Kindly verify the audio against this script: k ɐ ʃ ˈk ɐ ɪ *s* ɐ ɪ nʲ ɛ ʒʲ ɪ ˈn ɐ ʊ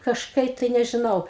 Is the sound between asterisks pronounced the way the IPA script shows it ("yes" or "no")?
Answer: no